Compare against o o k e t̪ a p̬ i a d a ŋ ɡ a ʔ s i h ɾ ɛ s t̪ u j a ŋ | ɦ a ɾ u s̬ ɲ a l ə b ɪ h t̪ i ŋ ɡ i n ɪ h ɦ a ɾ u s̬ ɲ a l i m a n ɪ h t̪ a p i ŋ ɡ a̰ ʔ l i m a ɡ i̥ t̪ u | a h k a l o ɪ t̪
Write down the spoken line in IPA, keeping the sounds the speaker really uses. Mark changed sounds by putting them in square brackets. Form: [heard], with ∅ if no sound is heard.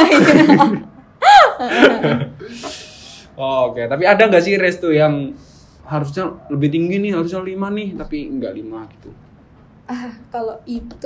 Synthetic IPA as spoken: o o k e t̪ a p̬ i a d a ŋ ɡ a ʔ s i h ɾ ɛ s t̪ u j a ŋ | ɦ a ɾ u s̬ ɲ a l ə b ɪ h t̪ i ŋ ɡ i n ɪ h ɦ a ɾ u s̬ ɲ a l i m a n ɪ h t̪ a p i ŋ ɡ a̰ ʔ l i m a ɡ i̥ t̪ u | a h k a l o [i] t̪